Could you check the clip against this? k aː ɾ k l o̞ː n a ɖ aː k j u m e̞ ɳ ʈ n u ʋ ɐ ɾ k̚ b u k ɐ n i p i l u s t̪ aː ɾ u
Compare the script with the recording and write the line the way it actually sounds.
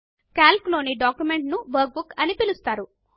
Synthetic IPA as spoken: k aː l k l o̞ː n i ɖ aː k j u m e̞ ɳ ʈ n u ʋ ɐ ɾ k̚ b u k ɐ n i p i l u s t̪ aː ɾ u